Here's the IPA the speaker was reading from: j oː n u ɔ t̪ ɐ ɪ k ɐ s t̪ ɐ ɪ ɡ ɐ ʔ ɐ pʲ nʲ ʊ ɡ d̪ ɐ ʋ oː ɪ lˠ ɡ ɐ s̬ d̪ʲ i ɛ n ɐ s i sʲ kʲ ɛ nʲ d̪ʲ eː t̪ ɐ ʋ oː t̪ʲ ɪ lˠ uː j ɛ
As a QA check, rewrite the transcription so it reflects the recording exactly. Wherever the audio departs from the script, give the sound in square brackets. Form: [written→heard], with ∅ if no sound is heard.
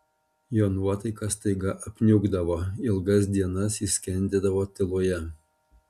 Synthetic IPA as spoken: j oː n u ɔ t̪ ɐ ɪ k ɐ s t̪ ɐ ɪ ɡ ɐ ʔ ɐ pʲ nʲ ʊ ɡ d̪ ɐ ʋ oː ɪ lˠ ɡ ɐ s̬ d̪ʲ i ɛ n ɐ s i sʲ kʲ ɛ nʲ d̪ʲ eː [t̪→d̪] ɐ ʋ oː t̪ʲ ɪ lˠ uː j ɛ

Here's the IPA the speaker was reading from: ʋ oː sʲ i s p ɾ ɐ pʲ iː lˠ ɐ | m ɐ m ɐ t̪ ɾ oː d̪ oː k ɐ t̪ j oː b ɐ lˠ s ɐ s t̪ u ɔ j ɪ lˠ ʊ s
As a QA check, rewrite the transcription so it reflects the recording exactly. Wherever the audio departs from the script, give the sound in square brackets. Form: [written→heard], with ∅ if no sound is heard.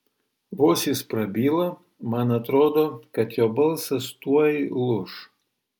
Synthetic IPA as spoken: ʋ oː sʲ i s p ɾ ɐ [pʲ→bʲ] iː lˠ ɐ | m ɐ [m→n] ɐ t̪ ɾ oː d̪ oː k ɐ t̪ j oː b ɐ lˠ s ɐ s t̪ u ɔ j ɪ lˠ ʊ [s→ʃ]

